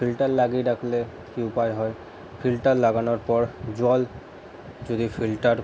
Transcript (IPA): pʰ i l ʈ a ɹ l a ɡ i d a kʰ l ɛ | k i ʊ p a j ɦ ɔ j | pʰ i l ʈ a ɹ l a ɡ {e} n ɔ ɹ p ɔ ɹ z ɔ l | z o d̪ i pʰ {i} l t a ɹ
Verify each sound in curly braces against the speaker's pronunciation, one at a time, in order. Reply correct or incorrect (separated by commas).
incorrect, correct